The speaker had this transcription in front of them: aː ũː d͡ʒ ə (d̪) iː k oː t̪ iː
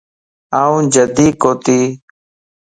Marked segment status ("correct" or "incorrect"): correct